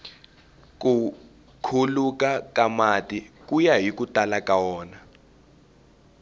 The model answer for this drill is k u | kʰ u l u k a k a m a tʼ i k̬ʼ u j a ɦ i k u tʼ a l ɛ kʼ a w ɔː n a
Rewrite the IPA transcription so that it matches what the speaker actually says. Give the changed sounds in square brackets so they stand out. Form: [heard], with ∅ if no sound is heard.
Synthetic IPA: k u | kʰ u l u k a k a m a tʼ i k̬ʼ u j a ɦ i k u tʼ a l [a] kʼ a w ɔː n a